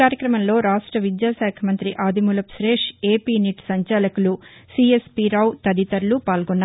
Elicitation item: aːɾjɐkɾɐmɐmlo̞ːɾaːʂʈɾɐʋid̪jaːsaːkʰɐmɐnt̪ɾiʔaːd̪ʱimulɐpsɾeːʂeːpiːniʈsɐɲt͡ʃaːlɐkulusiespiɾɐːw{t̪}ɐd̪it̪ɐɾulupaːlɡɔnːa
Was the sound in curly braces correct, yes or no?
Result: yes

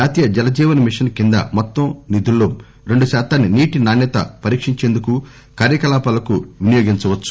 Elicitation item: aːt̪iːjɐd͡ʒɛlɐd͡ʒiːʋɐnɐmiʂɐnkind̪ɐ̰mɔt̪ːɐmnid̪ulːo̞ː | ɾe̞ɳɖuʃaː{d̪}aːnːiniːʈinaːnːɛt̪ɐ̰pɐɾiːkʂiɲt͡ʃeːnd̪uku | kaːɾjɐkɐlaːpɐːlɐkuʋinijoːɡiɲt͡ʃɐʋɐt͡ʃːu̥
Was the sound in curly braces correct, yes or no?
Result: no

